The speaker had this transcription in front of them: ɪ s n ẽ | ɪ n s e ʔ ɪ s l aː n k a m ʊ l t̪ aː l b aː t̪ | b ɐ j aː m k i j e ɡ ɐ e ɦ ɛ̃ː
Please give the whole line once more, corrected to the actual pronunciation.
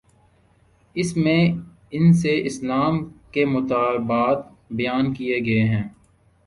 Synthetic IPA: ɪ s m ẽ | ɪ n s e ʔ ɪ s l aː m k e m ʊ t̪ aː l b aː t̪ | b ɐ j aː n k i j e ɡ ɐ e ɦ ɛ̃ː